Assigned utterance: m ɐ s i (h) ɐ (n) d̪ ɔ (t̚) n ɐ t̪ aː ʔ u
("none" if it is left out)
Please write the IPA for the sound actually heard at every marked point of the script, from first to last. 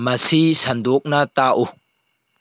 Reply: s, n, k̚

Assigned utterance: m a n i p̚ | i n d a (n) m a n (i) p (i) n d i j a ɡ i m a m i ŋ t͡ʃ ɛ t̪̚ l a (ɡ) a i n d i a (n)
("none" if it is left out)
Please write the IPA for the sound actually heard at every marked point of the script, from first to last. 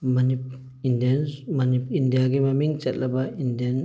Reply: n, i, i, b, n

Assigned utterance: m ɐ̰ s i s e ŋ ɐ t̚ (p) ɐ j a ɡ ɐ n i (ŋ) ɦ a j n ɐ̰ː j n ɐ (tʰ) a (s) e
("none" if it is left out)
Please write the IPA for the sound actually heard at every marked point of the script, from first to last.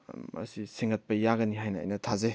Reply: p, none, tʰ, z

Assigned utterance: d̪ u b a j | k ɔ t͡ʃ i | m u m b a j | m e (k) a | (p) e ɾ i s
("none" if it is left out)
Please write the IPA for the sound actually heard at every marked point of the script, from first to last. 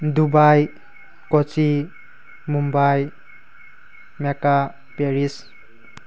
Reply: k, p

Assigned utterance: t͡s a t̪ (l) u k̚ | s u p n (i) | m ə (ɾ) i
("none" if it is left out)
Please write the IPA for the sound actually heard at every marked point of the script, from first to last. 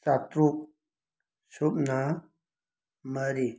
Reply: ɾ, a, ɾ

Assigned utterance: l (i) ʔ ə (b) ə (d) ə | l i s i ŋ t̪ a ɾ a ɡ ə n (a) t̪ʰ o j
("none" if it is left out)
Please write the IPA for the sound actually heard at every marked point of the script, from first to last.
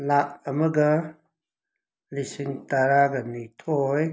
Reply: a, m, ɡ, i

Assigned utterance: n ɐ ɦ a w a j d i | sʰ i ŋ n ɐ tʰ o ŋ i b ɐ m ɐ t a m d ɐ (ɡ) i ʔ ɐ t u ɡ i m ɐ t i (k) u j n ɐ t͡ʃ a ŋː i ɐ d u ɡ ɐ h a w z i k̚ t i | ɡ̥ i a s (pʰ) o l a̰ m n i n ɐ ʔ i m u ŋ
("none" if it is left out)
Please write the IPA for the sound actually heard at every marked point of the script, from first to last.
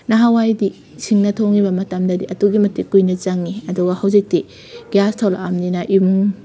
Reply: d, k, tʰ

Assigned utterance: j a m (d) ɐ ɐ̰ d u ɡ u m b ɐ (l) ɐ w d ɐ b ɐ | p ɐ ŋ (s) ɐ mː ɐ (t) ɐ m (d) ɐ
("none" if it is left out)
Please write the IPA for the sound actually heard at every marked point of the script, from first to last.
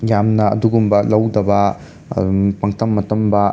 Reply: n, l, t, t, b

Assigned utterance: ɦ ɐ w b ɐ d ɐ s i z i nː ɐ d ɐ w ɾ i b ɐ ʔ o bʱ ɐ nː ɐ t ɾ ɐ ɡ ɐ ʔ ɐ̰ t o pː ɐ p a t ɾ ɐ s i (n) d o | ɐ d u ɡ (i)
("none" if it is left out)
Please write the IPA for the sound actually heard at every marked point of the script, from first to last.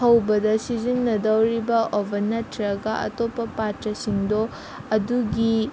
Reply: ŋ, i

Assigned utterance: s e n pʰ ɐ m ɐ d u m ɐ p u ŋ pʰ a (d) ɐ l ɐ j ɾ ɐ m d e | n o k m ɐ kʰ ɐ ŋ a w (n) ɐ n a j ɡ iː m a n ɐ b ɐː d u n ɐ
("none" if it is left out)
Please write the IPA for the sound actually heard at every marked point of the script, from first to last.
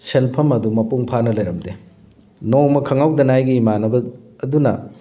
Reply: n, d

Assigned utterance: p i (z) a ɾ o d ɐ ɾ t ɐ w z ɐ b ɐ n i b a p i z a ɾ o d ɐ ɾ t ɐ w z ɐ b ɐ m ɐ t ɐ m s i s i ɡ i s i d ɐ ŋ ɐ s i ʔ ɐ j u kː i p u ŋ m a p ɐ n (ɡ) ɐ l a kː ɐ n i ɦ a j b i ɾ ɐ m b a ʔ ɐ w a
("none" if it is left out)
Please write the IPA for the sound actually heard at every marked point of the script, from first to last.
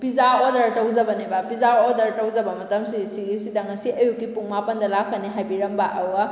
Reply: z, d

